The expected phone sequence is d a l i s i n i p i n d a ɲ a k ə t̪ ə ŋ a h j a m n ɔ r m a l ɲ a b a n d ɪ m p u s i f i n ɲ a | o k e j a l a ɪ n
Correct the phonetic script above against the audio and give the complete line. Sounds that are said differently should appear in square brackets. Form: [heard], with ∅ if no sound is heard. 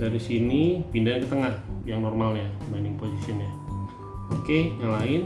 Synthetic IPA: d a [ɾ] i s i n i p i n d a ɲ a k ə t̪ ə ŋ a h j a [ŋ] n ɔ r m a l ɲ a b a n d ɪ [ŋ] p [o] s i [s] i n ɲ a | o k e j a l a ɪ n